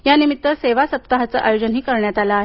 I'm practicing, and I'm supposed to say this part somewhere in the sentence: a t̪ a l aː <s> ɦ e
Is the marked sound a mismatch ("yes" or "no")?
yes